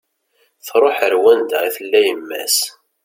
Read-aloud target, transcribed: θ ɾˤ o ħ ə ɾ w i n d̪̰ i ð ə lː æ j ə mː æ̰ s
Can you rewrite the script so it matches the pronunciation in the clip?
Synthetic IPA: θ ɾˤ o ħ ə ɾ w æ n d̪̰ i θ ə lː æ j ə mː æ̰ s